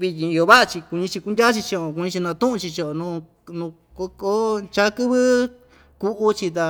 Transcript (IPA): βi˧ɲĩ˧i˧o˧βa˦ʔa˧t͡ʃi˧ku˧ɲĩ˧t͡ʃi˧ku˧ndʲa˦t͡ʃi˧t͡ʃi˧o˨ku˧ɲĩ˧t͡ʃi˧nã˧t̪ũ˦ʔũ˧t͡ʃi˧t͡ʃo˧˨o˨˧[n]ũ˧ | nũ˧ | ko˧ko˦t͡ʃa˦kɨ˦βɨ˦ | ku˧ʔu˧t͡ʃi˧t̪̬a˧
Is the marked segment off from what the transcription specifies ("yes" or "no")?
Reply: no